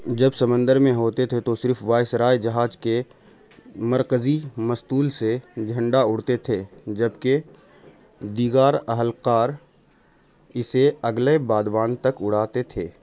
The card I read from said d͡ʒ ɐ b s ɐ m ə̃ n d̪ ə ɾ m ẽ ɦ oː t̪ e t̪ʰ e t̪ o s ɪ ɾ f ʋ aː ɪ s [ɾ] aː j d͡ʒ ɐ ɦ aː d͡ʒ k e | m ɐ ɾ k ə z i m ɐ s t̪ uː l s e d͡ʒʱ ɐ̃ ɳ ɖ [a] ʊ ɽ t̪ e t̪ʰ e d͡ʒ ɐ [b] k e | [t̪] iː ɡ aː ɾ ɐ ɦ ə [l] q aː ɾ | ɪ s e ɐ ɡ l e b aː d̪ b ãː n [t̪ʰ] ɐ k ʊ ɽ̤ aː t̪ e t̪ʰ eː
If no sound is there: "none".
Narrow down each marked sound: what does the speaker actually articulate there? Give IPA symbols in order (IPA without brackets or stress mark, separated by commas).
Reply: ɾ, a, b, d̪, l, t̪